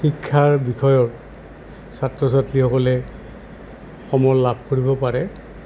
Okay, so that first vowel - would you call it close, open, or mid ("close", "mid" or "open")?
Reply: close